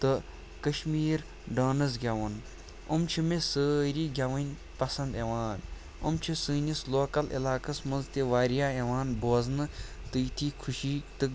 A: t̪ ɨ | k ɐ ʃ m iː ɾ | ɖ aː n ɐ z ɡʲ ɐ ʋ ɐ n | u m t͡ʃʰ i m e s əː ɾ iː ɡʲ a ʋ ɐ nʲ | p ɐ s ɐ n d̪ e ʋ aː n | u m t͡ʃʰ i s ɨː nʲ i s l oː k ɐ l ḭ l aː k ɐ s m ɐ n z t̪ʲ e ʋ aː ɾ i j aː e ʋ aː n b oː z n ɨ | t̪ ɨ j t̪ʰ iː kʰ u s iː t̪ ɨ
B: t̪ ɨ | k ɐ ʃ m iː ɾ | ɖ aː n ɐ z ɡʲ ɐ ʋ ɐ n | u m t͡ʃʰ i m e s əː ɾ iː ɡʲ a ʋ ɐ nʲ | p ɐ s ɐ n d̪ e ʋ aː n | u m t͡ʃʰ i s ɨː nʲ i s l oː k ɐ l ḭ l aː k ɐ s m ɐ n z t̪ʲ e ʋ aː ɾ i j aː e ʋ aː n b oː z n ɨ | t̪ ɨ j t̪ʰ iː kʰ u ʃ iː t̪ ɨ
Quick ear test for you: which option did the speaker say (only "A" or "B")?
B